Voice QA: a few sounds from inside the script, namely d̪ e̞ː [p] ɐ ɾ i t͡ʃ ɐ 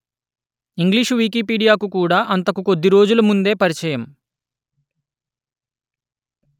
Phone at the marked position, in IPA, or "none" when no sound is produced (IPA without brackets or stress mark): p